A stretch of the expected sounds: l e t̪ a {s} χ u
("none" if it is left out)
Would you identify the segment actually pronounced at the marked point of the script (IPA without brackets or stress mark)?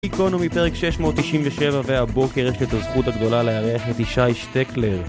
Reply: z